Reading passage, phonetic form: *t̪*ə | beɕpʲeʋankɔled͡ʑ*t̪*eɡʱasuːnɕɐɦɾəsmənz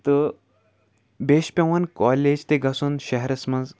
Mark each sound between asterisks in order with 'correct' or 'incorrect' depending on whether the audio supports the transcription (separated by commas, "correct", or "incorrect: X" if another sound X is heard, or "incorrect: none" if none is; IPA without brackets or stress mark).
correct, correct